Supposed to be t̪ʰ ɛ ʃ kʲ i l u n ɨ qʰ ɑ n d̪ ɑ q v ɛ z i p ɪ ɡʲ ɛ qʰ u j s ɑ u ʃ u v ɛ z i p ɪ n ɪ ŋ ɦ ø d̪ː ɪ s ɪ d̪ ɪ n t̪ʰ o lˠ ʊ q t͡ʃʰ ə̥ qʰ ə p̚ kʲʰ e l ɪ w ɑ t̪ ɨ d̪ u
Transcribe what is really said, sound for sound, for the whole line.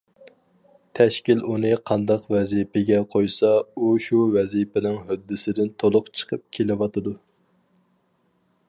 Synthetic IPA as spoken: t̪ʰ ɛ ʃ kʲ i l u n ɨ qʰ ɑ n d̪ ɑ q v ɛ z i p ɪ ɡʲ ɛ qʰ o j s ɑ u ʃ u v ɛ z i p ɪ n ɪ ŋ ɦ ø d̪ː ɪ s ɪ d̪ ɪ n t̪ʰ o lˠ ʊ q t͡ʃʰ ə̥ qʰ ə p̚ kʲʰ e l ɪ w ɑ t̪ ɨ d̪ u